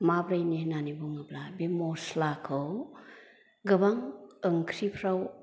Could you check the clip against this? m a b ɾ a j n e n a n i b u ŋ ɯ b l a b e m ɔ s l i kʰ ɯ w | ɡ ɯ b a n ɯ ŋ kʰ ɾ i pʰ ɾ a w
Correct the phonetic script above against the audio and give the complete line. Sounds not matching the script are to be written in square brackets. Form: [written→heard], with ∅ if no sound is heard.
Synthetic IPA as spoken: m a b ɾ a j n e n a n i b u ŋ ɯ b l a b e m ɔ s l [i→a] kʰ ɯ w | ɡ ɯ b a [n→ŋ] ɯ ŋ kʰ ɾ i pʰ ɾ a w